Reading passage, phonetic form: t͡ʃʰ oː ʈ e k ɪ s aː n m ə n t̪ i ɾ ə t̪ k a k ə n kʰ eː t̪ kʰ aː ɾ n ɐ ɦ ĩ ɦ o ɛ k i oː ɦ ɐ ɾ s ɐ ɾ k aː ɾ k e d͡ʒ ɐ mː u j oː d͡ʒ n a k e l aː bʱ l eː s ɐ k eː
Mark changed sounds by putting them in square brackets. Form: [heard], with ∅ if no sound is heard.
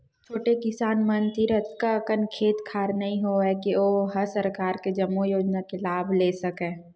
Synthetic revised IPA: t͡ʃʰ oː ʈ e k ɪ s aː n m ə n t̪ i ɾ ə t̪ k a k ə n kʰ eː t̪ kʰ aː ɾ n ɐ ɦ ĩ ɦ o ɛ k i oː ɦ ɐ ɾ s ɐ ɾ k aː ɾ k e d͡ʒ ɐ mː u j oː d͡ʒ n a k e l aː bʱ l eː s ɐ k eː